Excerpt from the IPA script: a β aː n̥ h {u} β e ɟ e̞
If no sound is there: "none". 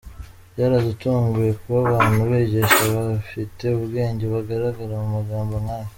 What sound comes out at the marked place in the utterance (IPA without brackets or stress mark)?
u